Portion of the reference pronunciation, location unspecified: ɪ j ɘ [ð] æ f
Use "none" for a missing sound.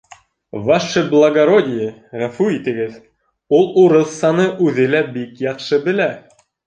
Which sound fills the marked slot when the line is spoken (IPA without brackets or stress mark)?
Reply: ʁ